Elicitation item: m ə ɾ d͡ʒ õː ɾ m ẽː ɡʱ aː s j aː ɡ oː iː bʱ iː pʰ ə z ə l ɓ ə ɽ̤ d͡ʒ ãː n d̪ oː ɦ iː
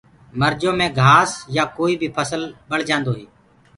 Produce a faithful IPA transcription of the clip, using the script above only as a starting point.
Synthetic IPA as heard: m ə ɾ d͡ʒ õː m ẽː ɡʱ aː s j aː k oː iː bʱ iː pʰ ə s ə l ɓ ə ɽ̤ d͡ʒ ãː n d̪ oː ɦ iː